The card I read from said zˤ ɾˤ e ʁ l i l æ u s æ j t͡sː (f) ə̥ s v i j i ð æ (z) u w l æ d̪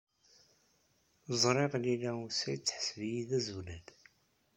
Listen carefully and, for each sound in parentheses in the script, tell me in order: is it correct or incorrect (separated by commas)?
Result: incorrect, correct